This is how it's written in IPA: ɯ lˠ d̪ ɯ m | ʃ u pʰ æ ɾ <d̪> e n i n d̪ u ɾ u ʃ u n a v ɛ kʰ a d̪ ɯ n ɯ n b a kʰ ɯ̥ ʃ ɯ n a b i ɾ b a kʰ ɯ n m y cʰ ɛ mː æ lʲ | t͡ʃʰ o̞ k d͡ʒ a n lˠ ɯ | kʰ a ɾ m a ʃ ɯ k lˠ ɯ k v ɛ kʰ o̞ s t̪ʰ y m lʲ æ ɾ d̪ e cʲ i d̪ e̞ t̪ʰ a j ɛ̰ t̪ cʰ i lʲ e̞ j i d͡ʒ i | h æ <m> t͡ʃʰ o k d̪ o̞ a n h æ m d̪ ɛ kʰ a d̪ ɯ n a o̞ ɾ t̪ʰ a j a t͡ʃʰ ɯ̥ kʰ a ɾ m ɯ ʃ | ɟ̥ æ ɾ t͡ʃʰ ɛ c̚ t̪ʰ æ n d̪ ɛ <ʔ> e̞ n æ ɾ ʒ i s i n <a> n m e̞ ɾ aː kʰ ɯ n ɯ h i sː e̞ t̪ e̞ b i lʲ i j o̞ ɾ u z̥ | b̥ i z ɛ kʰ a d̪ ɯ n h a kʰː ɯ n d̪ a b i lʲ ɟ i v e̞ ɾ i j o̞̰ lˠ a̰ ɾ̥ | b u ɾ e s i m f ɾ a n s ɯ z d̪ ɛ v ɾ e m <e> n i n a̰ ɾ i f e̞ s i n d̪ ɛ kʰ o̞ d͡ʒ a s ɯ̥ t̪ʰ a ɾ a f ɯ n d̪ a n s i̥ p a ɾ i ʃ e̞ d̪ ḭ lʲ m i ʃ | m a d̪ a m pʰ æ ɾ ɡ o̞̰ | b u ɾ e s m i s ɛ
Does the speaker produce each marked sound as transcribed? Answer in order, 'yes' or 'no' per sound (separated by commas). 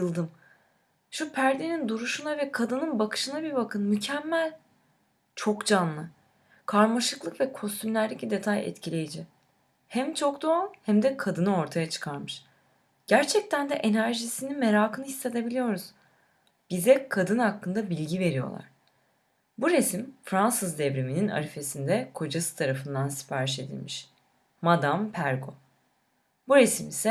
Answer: yes, yes, yes, no, no